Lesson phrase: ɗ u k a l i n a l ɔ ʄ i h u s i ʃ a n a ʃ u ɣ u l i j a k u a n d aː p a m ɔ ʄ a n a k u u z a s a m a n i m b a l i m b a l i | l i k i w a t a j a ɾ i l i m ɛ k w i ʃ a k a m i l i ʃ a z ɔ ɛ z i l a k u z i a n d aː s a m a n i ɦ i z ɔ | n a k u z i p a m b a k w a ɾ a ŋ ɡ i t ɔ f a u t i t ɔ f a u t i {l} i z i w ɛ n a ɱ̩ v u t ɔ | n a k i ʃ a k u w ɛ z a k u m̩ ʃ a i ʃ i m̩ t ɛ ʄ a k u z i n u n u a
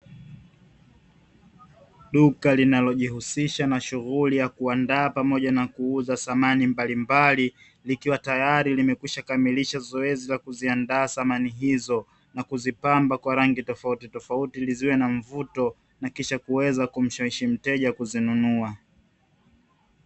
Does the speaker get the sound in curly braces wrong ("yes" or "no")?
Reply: no